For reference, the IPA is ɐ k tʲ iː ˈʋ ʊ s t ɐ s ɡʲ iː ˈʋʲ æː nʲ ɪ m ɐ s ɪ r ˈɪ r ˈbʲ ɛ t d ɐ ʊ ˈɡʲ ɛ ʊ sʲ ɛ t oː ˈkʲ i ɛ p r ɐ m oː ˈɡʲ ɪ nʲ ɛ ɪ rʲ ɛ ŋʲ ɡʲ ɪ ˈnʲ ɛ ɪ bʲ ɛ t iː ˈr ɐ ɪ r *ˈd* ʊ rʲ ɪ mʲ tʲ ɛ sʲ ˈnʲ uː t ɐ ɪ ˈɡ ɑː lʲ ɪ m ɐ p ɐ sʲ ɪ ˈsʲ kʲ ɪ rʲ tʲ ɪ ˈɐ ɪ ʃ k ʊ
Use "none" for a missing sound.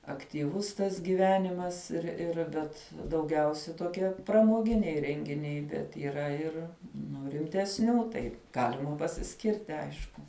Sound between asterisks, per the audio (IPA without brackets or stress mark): n